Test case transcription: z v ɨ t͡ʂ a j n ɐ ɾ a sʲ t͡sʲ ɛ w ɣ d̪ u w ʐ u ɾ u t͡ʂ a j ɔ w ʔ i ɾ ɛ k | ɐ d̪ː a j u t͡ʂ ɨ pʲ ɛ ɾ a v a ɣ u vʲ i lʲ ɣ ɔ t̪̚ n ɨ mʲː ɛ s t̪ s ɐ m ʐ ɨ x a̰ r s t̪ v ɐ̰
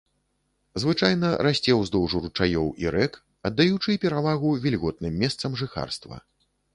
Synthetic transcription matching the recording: z v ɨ t͡ʂ a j n ɐ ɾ a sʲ t͡sʲ ɛ w z d̪ ɔ w ʐ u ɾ u t͡ʂ a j ɔ w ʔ i ɾ ɛ k | ɐ d̪ː a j u t͡ʂ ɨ pʲ ɛ ɾ a v a ɣ u vʲ i lʲ ɣ ɔ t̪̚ n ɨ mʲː ɛ s t̪ s ɐ m ʐ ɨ x a̰ r s t̪ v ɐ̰

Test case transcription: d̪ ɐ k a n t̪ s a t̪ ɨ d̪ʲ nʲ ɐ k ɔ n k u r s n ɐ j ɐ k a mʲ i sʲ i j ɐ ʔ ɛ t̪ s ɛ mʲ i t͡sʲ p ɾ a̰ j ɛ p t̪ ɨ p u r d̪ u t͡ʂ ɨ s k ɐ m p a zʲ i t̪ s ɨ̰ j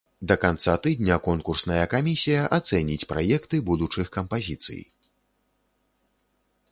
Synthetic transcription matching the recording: d̪ ɐ k a n t̪ s a t̪ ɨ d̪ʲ nʲ ɐ k ɔ n k u r s n ɐ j ɐ k a mʲ i sʲ i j ɐ ʔ a t̪ s ɛ nʲ i t͡sʲ p ɾ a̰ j ɛ k t̪ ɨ b u d̪ u t͡ʂ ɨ x k ɐ m p a zʲ i t̪ s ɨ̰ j

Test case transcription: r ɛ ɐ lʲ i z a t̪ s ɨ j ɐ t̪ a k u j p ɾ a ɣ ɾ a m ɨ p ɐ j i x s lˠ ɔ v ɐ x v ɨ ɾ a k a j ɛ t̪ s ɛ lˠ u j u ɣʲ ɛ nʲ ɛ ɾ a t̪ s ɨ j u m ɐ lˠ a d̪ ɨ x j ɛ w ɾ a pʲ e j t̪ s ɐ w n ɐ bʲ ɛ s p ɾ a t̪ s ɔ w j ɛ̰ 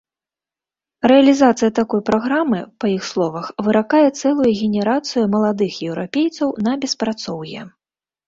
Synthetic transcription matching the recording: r ɛ ɐ lʲ i z a t̪ s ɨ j ɐ t̪ a k ɔ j p ɾ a ɣ ɾ a m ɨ p ɐ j i x s lˠ ɔ v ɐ x v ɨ ɾ a k a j ɛ t̪ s ɛ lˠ u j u ɣʲ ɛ nʲ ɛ ɾ a t̪ s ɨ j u m ɐ lˠ a d̪ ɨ x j ɛ w ɾ a pʲ e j t̪ s ɐ w n ɐ bʲ ɛ s p ɾ a t̪ s ɔ w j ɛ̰

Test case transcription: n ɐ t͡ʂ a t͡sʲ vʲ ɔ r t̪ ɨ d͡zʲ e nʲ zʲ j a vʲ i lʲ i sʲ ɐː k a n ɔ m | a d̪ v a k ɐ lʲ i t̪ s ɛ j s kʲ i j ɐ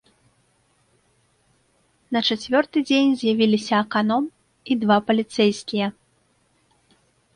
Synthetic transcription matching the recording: n ɐ t͡ʂ a t͡sʲ vʲ ɔ r t̪ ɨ d͡zʲ e nʲ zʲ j a vʲ i lʲ i sʲ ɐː k a n ɔ m | i d̪ v a p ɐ lʲ i t̪ s ɛ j s kʲ i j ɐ

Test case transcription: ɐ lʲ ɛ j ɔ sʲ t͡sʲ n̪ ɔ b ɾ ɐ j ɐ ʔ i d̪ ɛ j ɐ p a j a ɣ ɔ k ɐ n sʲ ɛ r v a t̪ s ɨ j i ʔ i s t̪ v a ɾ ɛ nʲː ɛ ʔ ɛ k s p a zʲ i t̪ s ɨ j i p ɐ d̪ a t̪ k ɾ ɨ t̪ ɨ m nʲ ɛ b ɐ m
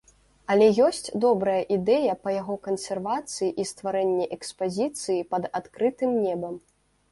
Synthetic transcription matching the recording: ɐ lʲ ɛ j ɔ sʲ t͡sʲ d̪ ɔ b ɾ ɐ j ɐ ʔ i d̪ ɛ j ɐ p ɐ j a ɣ ɔ k ɐ n sʲ ɛ r v a t̪ s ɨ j i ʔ i s t̪ v a ɾ ɛ nʲː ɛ ʔ ɛ k s p a zʲ i t̪ s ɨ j i p ɐ d̪ a t̪ k ɾ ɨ t̪ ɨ m nʲ ɛ b ɐ m

